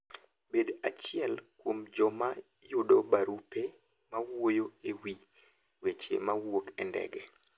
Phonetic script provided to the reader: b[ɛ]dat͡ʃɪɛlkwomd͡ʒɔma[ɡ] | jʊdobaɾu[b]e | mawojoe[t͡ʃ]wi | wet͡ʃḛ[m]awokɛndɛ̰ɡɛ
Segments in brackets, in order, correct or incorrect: incorrect, incorrect, incorrect, incorrect, correct

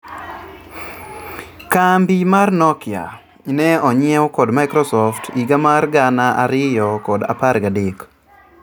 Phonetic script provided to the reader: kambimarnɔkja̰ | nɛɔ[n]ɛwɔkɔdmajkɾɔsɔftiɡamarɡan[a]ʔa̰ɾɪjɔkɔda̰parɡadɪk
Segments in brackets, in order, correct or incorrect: incorrect, correct

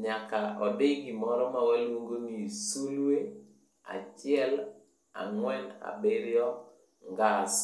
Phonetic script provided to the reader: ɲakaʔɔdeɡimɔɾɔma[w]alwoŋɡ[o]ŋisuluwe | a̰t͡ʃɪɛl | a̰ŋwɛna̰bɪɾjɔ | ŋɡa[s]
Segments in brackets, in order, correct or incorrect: correct, correct, correct

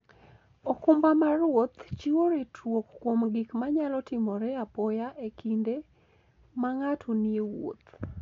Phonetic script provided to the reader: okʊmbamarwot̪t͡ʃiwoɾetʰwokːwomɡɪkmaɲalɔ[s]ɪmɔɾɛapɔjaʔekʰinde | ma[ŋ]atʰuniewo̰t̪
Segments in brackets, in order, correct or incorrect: incorrect, correct

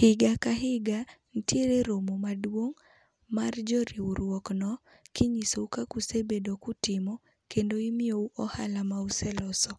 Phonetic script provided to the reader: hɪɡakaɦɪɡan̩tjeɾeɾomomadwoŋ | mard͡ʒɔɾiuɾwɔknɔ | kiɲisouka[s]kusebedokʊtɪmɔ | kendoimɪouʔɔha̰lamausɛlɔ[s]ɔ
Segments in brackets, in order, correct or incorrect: incorrect, correct

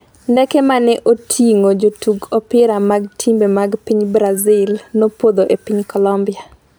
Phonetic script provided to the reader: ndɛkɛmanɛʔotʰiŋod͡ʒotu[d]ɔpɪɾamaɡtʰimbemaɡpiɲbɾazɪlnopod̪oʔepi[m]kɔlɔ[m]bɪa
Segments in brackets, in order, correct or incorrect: incorrect, incorrect, correct

